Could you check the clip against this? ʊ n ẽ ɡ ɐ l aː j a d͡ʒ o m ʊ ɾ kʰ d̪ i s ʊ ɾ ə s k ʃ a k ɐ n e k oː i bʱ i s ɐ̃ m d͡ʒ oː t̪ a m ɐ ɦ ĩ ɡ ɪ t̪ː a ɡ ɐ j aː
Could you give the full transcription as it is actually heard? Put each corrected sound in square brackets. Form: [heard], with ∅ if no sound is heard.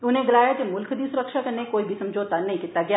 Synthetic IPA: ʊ n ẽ ɡ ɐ l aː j a d͡ʒ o m ʊ [l] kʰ d̪ i s ʊ ɾ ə [∅] k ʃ a k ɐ n e k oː i bʱ i s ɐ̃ m d͡ʒ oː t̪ a [n] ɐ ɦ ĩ [k] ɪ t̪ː a ɡ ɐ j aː